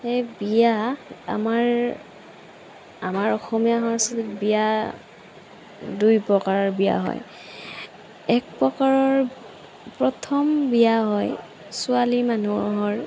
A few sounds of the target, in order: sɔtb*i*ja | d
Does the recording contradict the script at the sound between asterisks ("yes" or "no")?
no